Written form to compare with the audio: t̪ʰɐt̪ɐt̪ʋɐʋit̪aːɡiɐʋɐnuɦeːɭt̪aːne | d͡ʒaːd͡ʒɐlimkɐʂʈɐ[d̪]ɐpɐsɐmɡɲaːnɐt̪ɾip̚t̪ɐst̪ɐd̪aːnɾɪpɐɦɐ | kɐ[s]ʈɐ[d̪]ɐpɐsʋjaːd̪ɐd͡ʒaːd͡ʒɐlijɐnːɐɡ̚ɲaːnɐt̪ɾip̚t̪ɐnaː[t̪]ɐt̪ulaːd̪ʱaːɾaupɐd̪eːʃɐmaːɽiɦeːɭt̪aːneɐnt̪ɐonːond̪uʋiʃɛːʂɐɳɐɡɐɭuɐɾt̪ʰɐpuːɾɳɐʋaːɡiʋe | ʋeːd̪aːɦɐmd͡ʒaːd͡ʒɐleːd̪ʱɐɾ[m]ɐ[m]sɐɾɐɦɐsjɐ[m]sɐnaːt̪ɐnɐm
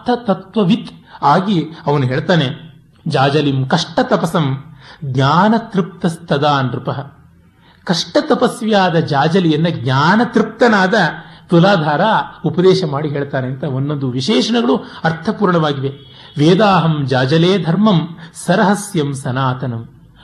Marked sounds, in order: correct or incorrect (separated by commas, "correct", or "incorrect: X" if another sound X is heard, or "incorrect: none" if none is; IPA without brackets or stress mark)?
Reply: incorrect: t̪, incorrect: ʂ, incorrect: t̪, incorrect: d̪, correct, correct, correct